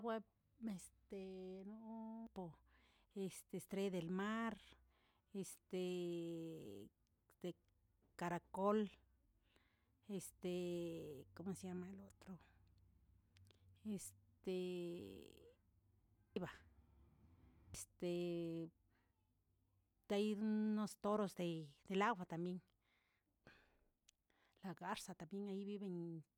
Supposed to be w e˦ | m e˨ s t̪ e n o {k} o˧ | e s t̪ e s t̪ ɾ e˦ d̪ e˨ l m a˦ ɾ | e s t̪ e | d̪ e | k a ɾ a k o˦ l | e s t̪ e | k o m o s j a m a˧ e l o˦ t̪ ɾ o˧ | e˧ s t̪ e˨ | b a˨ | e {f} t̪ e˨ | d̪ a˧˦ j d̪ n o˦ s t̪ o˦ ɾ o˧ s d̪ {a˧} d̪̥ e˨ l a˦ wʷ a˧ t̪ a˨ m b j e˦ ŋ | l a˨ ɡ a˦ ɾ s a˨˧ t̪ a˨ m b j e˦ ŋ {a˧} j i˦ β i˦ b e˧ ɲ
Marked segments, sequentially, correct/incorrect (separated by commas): incorrect, incorrect, incorrect, correct